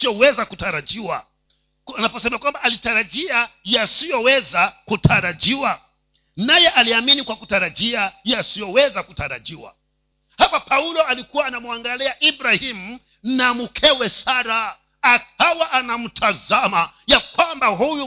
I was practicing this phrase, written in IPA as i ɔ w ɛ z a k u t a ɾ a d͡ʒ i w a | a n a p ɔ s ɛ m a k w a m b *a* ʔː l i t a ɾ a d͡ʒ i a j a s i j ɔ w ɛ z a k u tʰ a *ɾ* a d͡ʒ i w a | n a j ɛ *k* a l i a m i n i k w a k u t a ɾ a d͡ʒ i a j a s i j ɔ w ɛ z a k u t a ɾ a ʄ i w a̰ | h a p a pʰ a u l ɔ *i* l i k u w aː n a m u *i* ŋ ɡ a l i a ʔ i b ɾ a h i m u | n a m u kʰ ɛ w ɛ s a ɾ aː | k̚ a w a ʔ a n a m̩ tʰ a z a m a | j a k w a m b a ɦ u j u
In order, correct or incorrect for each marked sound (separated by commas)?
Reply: correct, correct, incorrect, incorrect, incorrect